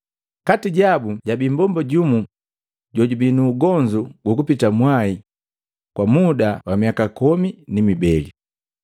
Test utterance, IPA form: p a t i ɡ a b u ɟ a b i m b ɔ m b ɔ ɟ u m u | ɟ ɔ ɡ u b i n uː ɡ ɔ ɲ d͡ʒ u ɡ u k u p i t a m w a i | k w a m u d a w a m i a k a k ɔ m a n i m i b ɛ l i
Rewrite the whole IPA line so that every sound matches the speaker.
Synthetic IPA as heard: k a t i ɟ a b u ɟ a b i m b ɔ m b ɔ ɟ u m u | ɟ ɔ ɟ u b i n uː ɡ ɔ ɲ d͡ʒ u ɡ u k u p i t a m w a i | k w a m u d a w a m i a k a k ɔ m i n i m i b ɛ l i